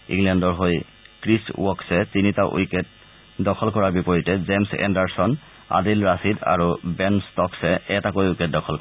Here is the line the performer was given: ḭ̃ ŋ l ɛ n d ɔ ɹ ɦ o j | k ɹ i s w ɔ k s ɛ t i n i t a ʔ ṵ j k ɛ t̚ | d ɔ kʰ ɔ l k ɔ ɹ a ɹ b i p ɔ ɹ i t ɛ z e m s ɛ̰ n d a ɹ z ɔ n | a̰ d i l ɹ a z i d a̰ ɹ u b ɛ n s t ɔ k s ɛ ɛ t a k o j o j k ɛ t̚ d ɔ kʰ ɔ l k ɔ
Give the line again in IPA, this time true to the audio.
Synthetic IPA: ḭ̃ ŋ l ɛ n d ɔ ɹ ɦ o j | k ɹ i s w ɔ k s ɛ t i n i t a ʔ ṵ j k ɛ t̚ | d ɔ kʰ ɔ l k ɔ ɹ a ɹ b i p ɔ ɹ i t ɛ z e m s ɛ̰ n d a ɹ s ɔ n | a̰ d i l ɹ a s i d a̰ ɹ u b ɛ n s t ɔ k s ɛ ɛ t a k o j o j k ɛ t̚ d ɔ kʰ ɔ l k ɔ